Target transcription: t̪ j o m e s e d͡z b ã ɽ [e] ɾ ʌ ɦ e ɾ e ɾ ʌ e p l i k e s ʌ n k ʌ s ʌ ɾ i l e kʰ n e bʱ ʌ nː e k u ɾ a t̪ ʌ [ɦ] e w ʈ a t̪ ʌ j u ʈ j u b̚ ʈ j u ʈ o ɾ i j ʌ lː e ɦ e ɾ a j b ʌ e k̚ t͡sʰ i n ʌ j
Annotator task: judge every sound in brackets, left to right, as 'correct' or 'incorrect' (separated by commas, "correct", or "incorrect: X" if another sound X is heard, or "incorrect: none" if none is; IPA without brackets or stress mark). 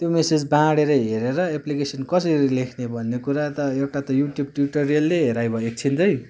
correct, incorrect: none